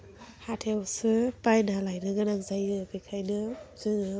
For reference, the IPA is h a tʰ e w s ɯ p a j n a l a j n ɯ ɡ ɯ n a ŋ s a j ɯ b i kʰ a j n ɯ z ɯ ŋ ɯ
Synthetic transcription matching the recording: h a tʰ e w s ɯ p a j n a l a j n ɯ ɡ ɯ n a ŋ z a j ɯ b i kʰ a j n ɯ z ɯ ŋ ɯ